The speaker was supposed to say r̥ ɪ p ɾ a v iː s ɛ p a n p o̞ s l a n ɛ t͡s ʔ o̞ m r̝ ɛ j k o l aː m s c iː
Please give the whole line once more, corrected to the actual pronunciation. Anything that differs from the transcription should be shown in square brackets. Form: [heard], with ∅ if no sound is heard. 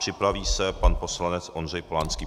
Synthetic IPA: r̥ ɪ p ɾ a v iː s ɛ p a n p o̞ s l a n ɛ t͡s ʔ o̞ [n] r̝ ɛ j [p] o l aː [n] s [k] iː